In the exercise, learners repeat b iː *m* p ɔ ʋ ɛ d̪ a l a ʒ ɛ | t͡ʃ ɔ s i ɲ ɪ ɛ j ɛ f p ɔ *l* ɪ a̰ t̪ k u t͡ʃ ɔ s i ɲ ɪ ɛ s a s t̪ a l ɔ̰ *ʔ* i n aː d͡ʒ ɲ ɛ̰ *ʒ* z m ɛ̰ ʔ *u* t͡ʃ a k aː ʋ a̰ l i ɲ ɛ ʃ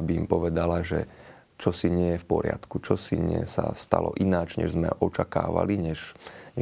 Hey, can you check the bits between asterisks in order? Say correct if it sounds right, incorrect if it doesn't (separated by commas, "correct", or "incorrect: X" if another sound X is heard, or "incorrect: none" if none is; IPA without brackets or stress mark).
correct, incorrect: ɾ, correct, correct, incorrect: ɔ